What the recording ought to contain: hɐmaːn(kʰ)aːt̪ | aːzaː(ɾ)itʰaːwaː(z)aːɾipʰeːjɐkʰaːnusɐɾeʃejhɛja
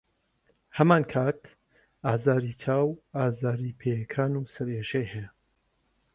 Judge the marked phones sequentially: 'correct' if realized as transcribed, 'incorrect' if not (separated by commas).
correct, correct, correct